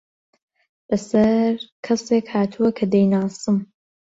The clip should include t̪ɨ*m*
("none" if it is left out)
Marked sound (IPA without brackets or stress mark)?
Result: m